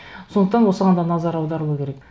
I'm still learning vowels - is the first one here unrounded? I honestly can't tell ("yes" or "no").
no